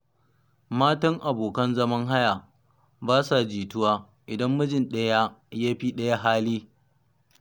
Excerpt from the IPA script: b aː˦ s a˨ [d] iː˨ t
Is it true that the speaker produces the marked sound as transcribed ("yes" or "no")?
no